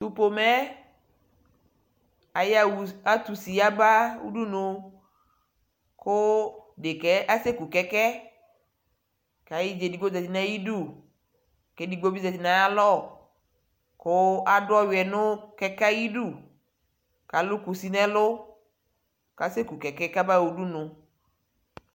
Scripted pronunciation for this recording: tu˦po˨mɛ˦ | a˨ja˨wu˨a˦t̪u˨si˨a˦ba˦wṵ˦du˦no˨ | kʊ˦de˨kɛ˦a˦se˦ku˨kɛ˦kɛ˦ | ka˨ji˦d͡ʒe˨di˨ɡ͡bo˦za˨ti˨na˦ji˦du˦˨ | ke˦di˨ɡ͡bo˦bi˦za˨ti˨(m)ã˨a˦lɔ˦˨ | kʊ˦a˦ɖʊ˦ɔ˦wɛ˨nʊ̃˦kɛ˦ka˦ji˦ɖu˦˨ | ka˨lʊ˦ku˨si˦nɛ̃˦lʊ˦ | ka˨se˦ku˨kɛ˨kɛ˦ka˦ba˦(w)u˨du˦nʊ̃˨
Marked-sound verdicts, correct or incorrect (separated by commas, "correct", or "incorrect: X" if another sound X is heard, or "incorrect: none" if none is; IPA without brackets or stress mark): incorrect: n, correct